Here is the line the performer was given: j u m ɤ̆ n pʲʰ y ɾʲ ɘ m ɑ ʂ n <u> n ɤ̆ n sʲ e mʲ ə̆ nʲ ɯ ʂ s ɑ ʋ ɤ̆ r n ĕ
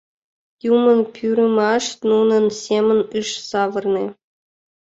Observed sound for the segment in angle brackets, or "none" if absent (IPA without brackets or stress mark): u